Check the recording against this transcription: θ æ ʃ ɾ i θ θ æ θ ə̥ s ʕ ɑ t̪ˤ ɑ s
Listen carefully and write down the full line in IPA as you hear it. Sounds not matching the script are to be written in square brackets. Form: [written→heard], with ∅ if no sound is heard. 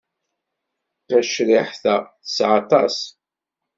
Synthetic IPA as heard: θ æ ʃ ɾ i [θ→ħ] θ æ θ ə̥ s ʕ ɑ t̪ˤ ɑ s